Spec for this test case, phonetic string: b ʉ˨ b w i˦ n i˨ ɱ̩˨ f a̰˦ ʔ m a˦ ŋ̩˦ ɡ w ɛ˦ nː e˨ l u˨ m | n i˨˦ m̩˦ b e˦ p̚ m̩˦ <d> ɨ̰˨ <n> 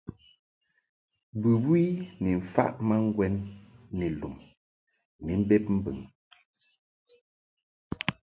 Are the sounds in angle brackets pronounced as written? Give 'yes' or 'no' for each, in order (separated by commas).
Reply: no, no